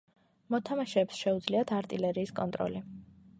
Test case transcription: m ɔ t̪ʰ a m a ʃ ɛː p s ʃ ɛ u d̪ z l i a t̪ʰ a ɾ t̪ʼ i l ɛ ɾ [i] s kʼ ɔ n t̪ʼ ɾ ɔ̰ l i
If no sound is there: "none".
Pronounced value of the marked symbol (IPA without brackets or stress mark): iː